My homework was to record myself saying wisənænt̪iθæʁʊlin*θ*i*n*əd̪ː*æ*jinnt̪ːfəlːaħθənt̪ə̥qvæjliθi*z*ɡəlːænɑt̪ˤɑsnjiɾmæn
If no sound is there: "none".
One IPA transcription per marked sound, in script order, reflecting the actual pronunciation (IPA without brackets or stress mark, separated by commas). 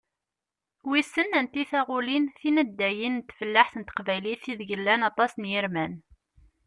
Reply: θ, n, æ, ð